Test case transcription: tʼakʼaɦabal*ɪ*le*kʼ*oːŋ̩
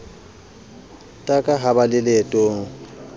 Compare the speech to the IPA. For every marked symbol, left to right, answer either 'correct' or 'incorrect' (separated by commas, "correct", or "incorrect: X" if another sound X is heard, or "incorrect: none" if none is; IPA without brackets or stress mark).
correct, incorrect: tʼ